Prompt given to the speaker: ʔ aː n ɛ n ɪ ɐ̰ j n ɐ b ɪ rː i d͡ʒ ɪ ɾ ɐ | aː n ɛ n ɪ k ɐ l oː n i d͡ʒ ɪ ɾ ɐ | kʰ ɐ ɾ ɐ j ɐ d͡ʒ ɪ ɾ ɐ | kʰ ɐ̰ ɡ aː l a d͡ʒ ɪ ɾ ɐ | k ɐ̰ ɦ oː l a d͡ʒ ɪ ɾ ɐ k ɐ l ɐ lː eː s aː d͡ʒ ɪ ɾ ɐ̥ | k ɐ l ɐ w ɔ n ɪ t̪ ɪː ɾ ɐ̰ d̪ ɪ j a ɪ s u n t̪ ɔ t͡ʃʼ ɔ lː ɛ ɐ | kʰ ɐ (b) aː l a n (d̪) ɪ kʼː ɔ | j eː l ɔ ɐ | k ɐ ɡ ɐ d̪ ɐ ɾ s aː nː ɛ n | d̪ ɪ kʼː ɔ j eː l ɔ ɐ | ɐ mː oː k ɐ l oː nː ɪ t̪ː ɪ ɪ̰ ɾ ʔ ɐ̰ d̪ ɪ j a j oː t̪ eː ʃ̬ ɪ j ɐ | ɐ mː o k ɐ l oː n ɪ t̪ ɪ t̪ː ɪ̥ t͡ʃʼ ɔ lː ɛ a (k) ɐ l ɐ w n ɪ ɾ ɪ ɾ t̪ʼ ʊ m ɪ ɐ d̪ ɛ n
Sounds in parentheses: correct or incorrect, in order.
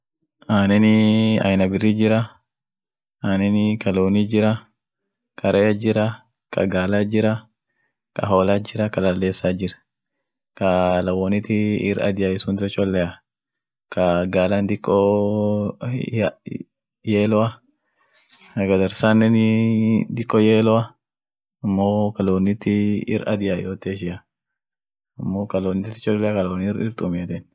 incorrect, correct, correct

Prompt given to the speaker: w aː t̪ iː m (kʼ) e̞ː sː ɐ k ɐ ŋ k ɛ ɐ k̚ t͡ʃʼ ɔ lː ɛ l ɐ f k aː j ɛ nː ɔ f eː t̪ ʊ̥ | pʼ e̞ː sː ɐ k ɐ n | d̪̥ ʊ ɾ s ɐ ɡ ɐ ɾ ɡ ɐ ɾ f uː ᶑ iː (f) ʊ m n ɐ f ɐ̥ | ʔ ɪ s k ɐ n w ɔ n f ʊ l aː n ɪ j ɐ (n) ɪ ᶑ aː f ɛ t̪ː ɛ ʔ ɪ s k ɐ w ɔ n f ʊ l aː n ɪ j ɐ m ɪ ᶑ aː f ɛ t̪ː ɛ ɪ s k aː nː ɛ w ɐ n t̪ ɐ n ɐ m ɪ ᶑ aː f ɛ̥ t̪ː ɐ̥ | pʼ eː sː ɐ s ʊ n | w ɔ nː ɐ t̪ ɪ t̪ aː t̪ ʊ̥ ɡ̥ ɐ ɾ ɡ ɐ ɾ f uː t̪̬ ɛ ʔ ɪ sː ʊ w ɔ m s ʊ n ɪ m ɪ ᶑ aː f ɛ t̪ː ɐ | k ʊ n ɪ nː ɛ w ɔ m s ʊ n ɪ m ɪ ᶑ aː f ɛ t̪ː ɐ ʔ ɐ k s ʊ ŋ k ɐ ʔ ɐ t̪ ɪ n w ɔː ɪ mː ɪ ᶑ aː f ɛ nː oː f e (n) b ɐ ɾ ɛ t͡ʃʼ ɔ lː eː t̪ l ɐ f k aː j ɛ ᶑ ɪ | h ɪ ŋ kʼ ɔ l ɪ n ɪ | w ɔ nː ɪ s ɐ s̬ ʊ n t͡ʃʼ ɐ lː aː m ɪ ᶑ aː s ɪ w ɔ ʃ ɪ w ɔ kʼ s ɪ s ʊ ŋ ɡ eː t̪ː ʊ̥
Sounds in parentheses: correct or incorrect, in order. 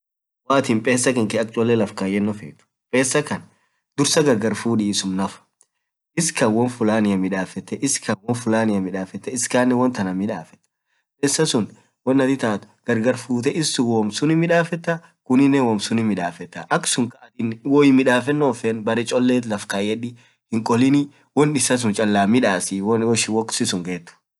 incorrect, incorrect, incorrect, correct

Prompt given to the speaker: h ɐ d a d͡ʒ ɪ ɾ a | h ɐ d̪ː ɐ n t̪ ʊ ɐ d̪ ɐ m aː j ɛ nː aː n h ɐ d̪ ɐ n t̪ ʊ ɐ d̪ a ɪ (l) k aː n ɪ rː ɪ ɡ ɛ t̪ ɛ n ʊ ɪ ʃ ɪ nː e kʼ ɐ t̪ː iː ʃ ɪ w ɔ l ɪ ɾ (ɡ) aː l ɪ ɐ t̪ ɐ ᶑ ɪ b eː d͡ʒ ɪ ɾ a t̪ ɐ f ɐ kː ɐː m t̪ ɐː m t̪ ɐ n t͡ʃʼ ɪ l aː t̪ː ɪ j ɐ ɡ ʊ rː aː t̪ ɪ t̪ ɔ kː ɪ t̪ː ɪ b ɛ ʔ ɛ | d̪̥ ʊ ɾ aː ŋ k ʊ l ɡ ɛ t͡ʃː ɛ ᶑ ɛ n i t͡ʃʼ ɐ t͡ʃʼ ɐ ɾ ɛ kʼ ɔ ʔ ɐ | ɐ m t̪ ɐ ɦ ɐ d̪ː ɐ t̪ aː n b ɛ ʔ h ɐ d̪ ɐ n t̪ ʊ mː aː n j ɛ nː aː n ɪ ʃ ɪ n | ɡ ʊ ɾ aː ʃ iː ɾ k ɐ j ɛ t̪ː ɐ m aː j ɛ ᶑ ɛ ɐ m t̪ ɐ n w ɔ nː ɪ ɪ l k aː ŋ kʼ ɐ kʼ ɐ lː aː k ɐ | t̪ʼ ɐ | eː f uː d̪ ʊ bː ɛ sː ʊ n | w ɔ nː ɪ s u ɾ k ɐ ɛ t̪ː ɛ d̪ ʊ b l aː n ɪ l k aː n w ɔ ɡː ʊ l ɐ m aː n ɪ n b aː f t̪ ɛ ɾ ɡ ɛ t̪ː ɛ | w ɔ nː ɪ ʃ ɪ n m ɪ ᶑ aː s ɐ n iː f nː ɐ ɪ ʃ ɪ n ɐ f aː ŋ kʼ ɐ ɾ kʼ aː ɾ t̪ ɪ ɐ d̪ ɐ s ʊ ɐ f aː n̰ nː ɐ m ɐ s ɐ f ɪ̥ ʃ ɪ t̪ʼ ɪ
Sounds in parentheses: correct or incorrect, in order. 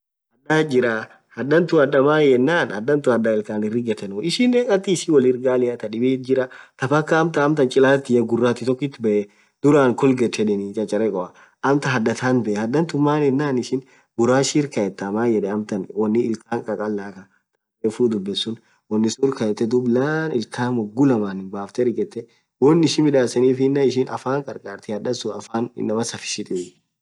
correct, correct

